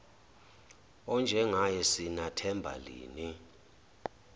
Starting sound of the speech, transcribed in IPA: ɔ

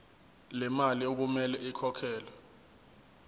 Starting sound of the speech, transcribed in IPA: l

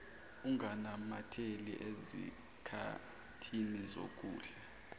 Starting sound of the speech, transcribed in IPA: u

